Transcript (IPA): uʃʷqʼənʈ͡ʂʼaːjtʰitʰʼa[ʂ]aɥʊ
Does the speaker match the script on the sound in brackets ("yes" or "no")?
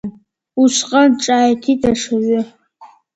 yes